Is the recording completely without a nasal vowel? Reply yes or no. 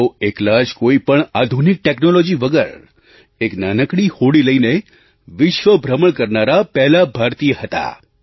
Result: yes